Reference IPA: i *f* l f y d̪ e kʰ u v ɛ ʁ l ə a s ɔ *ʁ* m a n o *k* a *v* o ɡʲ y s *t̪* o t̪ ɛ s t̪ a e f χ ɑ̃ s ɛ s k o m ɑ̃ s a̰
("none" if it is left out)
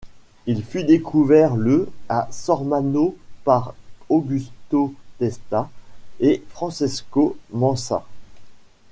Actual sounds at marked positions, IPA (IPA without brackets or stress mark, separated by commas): none, ʁ, p, ʁ, t̪